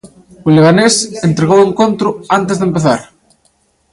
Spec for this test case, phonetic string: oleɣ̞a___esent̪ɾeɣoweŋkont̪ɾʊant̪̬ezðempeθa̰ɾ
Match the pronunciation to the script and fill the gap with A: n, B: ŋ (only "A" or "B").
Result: A